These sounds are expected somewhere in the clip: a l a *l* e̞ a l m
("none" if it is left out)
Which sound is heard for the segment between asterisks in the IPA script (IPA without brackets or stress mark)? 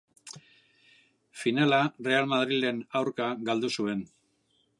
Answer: r